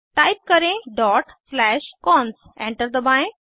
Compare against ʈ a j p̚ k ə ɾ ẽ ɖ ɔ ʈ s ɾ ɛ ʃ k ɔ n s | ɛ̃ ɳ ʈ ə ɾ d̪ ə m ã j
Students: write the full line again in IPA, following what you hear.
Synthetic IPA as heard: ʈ a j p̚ k ə ɾ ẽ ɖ ɔ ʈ s l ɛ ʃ k ɔ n s | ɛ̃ ɳ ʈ ə ɾ d̪ ə b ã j